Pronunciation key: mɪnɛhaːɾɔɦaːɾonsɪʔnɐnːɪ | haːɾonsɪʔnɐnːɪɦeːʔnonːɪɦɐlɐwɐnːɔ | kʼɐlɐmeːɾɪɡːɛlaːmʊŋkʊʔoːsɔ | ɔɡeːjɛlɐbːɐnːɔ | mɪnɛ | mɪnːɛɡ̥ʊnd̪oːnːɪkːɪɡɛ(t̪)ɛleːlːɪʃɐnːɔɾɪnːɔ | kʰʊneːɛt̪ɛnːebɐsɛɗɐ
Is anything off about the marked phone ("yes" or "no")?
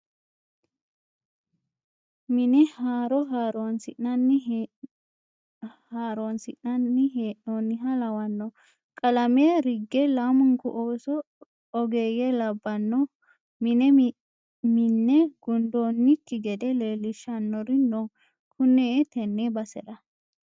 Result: yes